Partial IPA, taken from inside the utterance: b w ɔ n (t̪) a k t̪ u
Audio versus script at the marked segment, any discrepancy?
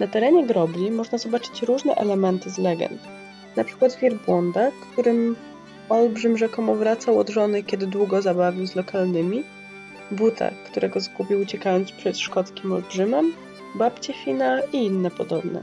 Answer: yes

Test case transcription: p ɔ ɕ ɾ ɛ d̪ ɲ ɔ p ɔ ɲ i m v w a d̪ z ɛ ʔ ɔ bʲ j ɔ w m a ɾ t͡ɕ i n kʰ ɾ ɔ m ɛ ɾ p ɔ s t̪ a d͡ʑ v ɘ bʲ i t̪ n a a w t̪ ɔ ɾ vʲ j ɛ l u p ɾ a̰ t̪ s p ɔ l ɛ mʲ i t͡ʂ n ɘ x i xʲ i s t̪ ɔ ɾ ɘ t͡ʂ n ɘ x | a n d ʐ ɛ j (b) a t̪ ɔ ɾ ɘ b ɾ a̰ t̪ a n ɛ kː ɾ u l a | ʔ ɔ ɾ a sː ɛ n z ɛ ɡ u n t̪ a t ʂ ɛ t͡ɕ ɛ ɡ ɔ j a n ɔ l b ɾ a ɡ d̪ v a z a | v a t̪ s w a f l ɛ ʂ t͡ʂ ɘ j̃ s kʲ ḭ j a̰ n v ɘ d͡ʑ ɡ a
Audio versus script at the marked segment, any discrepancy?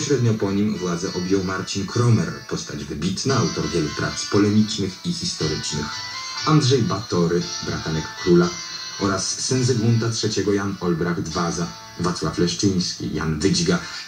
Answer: no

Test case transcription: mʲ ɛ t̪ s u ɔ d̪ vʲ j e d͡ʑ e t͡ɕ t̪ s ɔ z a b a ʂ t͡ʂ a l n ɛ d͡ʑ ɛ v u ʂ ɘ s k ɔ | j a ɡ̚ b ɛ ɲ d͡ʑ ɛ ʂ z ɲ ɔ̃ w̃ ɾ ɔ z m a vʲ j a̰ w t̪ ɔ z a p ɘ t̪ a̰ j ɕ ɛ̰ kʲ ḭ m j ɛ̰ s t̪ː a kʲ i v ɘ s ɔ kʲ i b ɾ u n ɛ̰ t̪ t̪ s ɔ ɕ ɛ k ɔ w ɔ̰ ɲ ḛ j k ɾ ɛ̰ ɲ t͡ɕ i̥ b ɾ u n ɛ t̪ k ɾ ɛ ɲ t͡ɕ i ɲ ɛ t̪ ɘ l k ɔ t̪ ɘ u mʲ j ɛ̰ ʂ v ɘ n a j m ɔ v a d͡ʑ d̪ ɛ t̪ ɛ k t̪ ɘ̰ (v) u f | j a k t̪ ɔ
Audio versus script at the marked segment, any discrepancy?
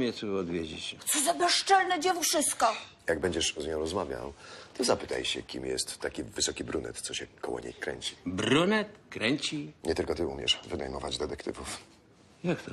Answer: no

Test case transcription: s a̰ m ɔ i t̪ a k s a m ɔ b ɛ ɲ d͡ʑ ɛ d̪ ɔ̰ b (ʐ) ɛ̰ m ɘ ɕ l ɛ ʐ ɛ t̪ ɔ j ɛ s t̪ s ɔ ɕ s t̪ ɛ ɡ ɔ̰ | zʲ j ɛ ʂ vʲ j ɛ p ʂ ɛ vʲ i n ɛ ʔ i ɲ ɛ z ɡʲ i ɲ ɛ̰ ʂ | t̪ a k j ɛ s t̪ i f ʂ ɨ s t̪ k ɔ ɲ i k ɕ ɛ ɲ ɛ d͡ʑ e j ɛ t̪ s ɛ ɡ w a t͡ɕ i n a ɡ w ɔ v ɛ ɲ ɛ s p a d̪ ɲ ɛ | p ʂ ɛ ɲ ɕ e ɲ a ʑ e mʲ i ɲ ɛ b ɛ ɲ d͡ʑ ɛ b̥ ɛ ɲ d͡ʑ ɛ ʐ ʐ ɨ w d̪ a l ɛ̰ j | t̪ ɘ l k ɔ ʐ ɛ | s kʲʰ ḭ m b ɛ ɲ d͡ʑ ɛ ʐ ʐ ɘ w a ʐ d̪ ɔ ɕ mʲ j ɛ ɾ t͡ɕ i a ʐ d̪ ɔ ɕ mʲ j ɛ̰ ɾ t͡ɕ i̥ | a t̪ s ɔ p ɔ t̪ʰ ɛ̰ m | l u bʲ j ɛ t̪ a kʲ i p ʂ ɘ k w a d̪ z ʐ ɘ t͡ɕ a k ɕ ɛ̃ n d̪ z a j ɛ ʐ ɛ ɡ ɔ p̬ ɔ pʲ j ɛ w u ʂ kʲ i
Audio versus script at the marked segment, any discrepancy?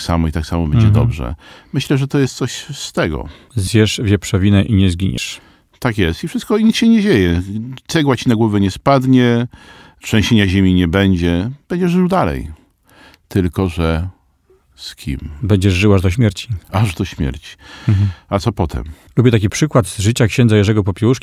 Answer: no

